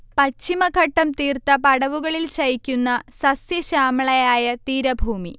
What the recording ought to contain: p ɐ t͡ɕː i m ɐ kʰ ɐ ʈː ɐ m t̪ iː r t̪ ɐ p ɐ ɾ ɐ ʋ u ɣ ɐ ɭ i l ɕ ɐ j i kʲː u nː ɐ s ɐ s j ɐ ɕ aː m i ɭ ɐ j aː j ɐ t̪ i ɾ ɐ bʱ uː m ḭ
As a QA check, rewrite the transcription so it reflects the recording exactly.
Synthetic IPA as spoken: p ɐ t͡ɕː i m ɐ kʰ ɐ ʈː ɐ m t̪ iː r t̪ ɐ p ɐ ɽ ɐ ʋ u ɣ ɐ ɭ i l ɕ ɐ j i kʲː u nː ɐ s ɐ s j ɐ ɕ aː m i ɭ ɐ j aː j ɐ t̪ iː ɾ ɐ bʱ uː m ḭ